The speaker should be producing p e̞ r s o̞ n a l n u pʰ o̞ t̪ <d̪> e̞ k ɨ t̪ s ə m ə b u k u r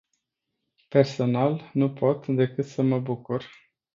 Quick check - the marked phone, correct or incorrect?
correct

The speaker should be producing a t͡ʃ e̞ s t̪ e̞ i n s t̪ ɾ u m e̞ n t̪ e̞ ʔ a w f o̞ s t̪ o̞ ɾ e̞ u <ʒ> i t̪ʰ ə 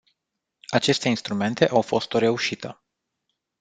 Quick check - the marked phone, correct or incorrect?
incorrect: ʃ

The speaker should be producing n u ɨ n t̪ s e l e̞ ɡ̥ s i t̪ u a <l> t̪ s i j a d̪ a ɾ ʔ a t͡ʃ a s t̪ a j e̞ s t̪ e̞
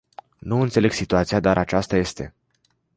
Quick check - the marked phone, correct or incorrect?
incorrect: none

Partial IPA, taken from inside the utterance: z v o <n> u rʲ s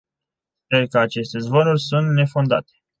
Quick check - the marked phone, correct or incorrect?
correct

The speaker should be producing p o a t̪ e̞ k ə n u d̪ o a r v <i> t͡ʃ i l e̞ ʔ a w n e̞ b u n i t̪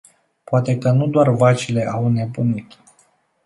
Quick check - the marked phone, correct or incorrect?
incorrect: a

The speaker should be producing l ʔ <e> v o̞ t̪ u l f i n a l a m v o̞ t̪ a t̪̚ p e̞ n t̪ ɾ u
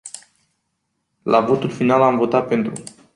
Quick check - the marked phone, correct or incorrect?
incorrect: a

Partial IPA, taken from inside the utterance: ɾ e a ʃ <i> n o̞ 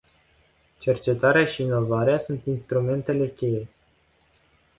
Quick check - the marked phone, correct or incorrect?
incorrect: iː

